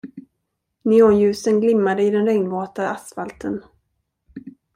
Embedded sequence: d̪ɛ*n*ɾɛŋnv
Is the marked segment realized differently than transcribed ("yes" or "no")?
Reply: no